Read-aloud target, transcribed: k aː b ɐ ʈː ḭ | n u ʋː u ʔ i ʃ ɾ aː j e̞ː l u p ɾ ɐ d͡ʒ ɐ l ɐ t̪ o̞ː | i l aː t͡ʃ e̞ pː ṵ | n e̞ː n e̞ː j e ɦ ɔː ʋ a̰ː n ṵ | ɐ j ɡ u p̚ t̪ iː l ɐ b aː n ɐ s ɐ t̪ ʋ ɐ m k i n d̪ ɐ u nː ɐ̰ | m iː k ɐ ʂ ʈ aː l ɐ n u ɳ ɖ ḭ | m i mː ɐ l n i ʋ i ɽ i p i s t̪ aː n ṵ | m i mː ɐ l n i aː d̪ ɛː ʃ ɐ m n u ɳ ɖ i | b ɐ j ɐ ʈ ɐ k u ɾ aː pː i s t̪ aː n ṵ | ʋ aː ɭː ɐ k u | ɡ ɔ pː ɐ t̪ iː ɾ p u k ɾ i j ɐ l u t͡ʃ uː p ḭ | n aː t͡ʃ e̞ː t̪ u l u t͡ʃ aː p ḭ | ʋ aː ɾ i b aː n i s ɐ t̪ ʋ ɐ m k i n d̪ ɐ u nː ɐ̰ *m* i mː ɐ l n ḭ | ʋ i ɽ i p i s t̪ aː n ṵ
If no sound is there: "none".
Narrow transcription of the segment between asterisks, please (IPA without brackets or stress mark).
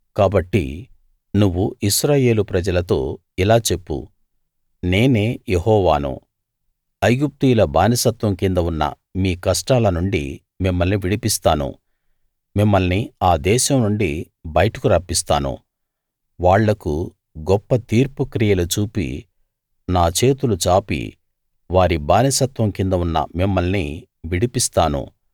m